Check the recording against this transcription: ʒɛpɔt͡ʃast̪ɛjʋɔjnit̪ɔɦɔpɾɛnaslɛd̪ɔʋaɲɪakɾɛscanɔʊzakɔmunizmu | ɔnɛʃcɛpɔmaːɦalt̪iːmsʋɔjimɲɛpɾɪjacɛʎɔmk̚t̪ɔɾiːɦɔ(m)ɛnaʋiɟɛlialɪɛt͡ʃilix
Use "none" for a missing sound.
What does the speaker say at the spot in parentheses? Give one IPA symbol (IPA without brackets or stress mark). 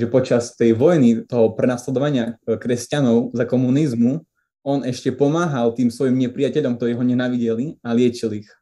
ɲ